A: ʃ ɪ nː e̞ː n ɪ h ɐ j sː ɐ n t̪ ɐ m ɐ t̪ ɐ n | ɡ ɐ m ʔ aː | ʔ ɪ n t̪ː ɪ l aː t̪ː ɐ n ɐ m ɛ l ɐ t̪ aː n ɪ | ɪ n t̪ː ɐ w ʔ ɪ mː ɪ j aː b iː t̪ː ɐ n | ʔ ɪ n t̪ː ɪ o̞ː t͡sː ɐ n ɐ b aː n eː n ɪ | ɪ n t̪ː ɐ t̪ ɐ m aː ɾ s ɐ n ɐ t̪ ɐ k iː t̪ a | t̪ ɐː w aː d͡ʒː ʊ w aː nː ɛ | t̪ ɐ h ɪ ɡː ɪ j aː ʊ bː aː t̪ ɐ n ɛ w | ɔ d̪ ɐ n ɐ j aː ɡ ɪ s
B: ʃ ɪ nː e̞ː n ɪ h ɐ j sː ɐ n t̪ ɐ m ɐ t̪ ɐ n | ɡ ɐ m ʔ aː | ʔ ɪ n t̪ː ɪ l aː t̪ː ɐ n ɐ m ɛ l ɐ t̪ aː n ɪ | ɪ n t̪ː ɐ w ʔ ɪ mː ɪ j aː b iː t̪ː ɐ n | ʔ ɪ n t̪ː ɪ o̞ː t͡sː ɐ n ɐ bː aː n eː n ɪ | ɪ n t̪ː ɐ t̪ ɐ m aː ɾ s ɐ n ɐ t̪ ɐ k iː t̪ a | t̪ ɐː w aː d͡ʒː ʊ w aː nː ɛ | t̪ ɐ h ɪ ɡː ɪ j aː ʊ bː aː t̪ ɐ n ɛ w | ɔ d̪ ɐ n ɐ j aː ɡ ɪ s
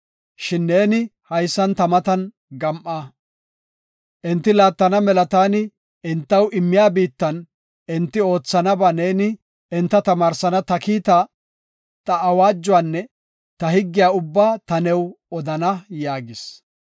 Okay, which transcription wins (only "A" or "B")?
A